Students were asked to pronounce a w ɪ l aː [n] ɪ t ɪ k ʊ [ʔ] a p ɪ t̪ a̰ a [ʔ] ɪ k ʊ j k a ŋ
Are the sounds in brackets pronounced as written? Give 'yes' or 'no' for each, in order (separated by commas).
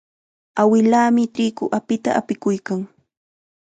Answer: no, yes, no